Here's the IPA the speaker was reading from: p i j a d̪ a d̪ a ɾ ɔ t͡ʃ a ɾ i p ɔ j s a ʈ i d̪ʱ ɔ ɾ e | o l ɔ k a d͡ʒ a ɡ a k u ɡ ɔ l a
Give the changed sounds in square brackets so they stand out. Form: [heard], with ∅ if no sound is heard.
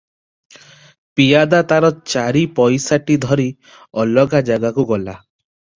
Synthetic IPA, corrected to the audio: p i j a d̪ a [t̪] a ɾ ɔ t͡ʃ a ɾ i p ɔ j s a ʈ i d̪ʱ ɔ ɾ [i] | [ɔ] l ɔ [ɡ] a d͡ʒ a ɡ a k u ɡ ɔ l a